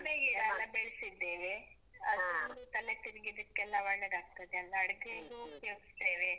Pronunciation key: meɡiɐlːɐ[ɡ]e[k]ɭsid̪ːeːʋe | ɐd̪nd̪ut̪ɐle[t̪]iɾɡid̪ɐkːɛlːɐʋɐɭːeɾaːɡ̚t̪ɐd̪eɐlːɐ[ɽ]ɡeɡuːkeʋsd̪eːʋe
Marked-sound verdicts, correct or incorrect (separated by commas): incorrect, incorrect, correct, correct